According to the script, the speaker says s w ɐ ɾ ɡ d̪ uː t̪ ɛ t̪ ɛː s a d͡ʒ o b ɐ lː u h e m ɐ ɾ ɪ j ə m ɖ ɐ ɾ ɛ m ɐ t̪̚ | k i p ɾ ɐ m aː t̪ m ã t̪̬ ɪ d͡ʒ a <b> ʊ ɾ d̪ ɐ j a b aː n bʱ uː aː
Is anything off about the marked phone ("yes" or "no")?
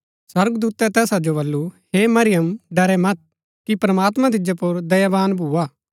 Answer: yes